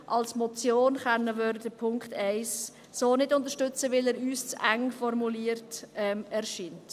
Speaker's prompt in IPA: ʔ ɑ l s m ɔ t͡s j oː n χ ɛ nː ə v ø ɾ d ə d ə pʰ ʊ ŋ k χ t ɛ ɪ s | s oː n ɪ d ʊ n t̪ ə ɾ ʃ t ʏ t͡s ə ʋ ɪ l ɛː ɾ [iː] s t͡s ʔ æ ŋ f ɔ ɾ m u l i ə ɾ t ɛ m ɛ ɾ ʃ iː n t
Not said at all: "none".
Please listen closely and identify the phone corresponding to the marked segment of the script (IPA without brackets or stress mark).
yː